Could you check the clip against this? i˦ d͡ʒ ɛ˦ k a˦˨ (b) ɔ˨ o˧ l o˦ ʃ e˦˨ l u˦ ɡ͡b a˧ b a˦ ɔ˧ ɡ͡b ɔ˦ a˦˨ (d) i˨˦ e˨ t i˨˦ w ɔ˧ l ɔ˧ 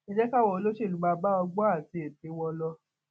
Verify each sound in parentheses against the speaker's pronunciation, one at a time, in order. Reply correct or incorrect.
incorrect: w, incorrect: t

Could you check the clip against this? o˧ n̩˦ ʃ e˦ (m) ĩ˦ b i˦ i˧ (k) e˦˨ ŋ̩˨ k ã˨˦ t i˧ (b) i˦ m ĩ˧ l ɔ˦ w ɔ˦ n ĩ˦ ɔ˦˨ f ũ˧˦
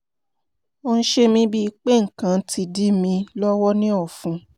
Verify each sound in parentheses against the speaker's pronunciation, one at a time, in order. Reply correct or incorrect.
correct, incorrect: k͡p, incorrect: d

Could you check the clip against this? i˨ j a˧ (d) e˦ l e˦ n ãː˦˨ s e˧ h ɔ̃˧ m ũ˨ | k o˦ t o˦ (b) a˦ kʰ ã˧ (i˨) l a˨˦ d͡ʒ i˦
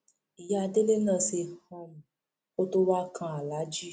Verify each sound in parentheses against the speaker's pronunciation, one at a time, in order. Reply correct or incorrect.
correct, incorrect: w, incorrect: a˨

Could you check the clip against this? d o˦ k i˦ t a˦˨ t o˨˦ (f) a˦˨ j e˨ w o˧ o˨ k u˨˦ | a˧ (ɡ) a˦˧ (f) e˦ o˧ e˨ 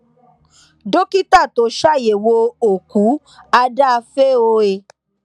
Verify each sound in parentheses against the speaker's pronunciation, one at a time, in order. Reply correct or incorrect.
incorrect: ʃ, incorrect: d, correct

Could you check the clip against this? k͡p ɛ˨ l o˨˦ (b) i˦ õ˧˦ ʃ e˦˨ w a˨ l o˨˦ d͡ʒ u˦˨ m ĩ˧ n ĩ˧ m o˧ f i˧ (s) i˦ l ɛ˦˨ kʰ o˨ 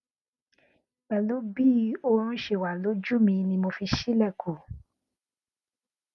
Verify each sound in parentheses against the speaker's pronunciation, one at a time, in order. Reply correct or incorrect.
correct, incorrect: ʃ

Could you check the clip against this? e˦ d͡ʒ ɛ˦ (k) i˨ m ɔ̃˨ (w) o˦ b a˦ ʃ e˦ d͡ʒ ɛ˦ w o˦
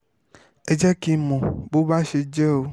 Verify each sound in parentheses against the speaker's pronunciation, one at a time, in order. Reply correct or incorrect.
correct, incorrect: b

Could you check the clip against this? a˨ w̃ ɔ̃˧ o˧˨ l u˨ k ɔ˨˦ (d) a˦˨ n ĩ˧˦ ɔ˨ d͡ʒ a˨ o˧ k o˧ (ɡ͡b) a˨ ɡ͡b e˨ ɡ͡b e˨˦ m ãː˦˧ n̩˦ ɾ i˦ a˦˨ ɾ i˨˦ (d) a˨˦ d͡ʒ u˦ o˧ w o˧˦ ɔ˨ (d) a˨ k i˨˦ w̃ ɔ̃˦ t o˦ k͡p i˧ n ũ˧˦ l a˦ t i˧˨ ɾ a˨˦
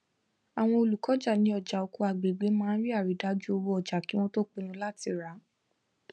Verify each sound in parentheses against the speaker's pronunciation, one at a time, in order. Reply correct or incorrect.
incorrect: d͡ʒ, incorrect: none, correct, incorrect: d͡ʒ

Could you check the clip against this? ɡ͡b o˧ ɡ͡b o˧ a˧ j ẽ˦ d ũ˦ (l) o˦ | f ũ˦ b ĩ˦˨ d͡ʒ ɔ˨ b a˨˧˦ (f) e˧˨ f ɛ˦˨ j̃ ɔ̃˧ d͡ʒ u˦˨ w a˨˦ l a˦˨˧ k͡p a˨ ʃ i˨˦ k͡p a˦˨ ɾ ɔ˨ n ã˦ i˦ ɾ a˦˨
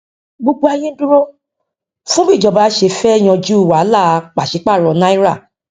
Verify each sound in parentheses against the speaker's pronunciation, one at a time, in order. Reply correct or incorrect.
incorrect: ɾ, incorrect: ʃ

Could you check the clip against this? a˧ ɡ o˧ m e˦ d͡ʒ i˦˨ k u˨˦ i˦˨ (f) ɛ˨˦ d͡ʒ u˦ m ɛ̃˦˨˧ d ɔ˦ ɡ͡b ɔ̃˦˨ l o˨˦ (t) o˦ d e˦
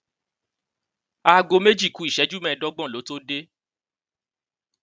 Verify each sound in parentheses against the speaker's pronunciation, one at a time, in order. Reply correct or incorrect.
incorrect: ʃ, correct

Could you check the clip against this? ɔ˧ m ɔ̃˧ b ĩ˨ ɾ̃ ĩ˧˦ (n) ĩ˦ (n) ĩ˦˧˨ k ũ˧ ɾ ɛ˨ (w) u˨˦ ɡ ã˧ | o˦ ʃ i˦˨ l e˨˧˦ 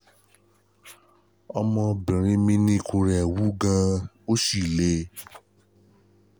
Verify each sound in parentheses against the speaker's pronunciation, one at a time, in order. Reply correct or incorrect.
incorrect: m, correct, correct

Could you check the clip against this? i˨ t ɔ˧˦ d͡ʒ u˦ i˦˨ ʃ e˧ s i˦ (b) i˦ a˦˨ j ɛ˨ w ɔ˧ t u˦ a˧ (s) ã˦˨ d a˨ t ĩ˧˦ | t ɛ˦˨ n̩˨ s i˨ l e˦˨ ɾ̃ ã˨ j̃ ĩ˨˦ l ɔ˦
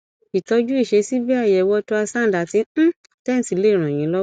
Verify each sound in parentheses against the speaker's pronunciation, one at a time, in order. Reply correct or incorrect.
correct, correct

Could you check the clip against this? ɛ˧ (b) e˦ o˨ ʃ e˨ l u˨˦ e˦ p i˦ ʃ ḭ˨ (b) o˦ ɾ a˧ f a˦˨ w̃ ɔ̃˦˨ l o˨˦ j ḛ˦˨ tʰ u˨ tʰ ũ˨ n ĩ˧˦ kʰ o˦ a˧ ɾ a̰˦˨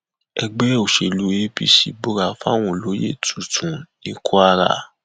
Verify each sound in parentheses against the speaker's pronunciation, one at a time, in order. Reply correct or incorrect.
incorrect: ɡ͡b, correct

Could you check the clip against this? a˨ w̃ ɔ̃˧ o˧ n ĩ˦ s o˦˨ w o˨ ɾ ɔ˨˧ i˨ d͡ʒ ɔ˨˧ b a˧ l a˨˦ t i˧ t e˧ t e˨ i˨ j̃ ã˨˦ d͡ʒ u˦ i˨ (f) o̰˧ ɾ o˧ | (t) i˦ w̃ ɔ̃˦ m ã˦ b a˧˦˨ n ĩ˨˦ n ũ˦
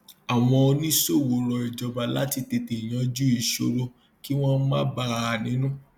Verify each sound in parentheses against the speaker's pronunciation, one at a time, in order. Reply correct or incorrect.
incorrect: ʃ, incorrect: k

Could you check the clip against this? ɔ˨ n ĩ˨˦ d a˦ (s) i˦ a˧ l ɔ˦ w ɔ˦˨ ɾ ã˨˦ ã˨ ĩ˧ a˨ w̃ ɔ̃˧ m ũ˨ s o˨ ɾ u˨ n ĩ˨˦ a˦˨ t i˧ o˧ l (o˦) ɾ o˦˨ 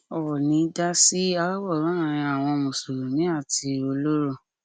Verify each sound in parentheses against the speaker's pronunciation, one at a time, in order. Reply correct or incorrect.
correct, correct

